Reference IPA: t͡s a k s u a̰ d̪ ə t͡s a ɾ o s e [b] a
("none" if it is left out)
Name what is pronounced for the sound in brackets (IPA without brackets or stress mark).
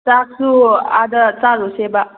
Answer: b